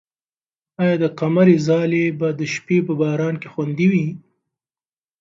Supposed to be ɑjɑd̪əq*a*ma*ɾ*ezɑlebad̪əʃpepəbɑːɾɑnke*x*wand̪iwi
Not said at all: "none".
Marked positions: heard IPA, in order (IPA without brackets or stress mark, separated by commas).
a, ɾ, x